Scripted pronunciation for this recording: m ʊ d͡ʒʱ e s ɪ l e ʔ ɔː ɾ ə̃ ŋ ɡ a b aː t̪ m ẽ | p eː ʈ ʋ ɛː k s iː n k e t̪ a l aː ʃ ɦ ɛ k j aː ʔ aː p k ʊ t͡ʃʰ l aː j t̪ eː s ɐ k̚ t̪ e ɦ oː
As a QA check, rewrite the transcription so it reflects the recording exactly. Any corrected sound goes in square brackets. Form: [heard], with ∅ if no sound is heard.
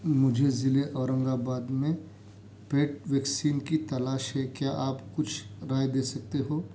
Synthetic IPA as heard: m ʊ d͡ʒʱ e [z] ɪ l e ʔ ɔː ɾ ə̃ ŋ ɡ a b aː [d̪] m ẽ | p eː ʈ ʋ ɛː k s iː n k [i] t̪ [ɐ] l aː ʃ ɦ ɛ k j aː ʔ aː p k ʊ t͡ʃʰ [ɾ] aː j [d̪] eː s ɐ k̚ t̪ e ɦ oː